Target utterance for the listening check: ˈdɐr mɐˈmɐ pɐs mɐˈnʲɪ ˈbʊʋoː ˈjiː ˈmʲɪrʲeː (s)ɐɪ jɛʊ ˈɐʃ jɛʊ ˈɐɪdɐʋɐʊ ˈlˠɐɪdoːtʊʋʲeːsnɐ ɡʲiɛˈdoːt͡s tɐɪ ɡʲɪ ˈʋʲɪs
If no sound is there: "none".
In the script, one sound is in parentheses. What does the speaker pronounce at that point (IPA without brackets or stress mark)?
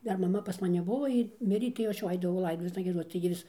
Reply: t